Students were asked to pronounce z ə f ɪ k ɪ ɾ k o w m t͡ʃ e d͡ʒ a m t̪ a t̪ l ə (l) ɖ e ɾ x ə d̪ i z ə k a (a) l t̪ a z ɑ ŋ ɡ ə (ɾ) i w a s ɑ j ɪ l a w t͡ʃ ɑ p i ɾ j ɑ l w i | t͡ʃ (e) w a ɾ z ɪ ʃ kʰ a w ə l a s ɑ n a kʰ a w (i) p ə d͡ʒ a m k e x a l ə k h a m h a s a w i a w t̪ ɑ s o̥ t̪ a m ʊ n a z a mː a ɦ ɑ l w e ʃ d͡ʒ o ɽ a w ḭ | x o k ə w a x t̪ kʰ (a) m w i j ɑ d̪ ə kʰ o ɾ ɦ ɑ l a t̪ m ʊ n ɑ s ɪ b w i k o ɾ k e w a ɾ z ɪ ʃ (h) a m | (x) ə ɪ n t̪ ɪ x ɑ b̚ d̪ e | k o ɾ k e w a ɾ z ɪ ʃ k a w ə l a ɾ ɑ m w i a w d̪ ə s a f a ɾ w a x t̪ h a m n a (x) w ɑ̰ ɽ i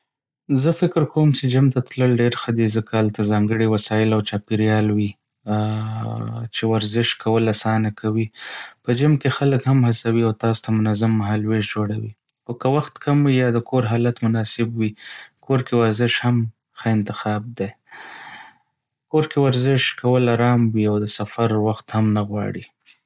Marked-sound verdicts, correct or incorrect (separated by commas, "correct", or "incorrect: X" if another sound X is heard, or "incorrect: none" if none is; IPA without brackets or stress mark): correct, correct, incorrect: ɽ, correct, correct, correct, correct, correct, incorrect: ɣ